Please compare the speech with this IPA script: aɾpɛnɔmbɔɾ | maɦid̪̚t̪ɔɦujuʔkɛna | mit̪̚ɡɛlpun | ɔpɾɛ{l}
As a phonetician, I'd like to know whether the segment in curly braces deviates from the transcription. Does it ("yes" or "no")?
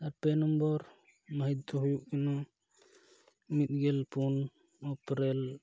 no